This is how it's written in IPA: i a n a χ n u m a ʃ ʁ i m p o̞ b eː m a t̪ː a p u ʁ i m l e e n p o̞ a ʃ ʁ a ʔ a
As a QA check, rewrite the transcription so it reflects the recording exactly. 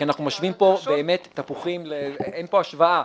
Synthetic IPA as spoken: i a n a χ n u m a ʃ v i m p o̞ b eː m e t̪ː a p u χ i m l e e n p o̞ a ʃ v a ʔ a